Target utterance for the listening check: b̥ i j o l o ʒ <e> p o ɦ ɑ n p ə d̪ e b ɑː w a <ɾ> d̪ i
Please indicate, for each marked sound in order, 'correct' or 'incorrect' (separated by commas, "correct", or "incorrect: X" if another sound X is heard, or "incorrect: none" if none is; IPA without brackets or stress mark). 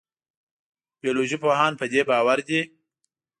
incorrect: i, correct